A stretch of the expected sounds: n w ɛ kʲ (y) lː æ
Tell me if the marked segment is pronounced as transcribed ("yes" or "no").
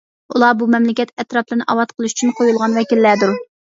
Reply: no